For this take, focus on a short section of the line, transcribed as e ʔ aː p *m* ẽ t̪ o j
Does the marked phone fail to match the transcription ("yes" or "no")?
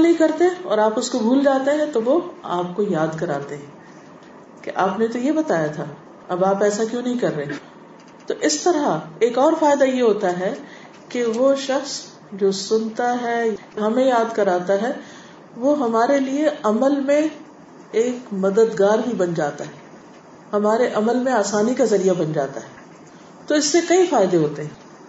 yes